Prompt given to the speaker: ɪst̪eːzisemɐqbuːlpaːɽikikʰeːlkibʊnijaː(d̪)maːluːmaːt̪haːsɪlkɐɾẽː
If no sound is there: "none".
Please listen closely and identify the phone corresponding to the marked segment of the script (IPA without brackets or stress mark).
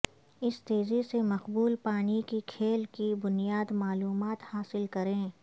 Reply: d̪